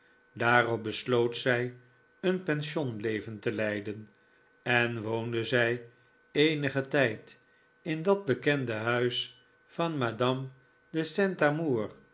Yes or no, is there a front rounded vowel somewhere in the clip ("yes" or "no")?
yes